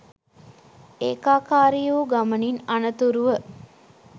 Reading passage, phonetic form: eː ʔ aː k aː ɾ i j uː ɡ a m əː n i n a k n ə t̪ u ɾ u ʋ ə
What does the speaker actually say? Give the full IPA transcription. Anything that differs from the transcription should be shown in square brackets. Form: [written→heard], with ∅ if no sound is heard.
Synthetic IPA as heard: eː [ʔ→k] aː k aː ɾ i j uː ɡ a m [əː→ə] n i n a [k→∅] n ə t̪ u ɾ u ʋ ə